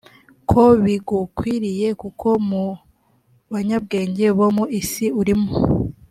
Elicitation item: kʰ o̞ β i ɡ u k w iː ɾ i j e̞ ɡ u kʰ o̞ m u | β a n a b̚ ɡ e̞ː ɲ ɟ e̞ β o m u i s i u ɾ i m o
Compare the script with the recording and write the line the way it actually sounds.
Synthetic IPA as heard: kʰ o̞ β i ɡ u k w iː ɾ i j e̞ k u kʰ o̞ m u | β a ɲ a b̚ ɡ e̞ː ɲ ɟ e̞ β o m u i s i u ɾ i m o